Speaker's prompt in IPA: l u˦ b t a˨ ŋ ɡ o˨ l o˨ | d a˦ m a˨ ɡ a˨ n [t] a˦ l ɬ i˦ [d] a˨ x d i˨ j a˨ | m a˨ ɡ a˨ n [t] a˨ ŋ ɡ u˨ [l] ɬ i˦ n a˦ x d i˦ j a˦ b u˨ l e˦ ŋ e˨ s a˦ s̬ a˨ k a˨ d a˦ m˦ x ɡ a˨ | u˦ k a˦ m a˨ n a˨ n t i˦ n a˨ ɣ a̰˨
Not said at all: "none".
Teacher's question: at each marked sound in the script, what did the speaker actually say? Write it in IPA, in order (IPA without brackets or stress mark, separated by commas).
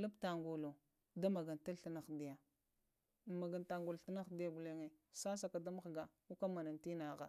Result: t, n, t, l